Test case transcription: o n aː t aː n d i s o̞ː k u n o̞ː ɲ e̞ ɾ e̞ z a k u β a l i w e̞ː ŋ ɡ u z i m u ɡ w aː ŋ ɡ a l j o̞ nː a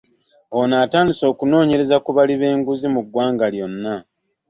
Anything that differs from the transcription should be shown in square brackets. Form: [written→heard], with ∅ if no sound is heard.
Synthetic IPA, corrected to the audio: o n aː t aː n d i s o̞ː k u n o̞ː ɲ e̞ ɾ e̞ z a k u β a l i [w→β] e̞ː ŋ ɡ u z i m u ɡ w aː ŋ ɡ a l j o̞ nː a